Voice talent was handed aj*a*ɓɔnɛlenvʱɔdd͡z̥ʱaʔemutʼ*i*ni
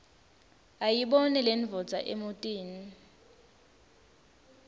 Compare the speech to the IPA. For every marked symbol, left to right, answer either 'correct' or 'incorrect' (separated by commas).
incorrect, incorrect